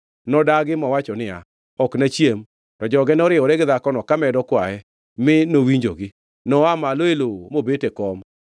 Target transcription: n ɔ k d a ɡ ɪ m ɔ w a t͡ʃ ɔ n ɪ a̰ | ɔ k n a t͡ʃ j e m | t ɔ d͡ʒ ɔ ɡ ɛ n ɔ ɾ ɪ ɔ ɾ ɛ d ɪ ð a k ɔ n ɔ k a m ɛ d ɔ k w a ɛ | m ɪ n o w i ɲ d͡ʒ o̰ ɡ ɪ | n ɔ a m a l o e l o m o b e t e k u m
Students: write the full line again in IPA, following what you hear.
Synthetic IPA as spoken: n ɔ d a ɡ ɪ m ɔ w a t͡ʃ ɔ n ɪ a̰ | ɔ k n a t͡ʃ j e m | t ɔ d͡ʒ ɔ ɡ ɛ n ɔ ɾ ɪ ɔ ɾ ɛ ɡ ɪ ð a k ɔ n ɔ k a m ɛ d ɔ k w a ɛ | m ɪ n o w i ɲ d͡ʒ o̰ ɡ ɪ | n ɔ a m a l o e l o m o b e t e k ɔ m